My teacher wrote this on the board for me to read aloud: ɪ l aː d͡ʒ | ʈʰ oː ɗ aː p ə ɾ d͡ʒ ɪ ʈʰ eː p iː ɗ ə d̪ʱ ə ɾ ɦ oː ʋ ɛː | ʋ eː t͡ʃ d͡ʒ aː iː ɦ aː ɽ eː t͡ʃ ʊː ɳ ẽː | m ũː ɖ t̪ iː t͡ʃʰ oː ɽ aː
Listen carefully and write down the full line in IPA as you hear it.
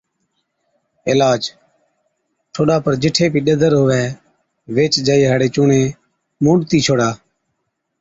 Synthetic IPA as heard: ɪ l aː d͡ʒ | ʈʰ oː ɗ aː p ə ɾ d͡ʒ ɪ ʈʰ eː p iː ɗ ə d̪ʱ ə ɾ ɦ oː ʋ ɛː | ʋ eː t͡ʃ d͡ʒ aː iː ɦ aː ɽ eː t͡ʃ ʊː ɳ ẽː | m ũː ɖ t̪ iː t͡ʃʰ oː ɽ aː